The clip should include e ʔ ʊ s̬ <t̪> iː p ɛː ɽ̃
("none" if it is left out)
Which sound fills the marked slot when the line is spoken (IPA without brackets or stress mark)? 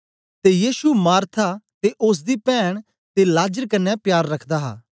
d̪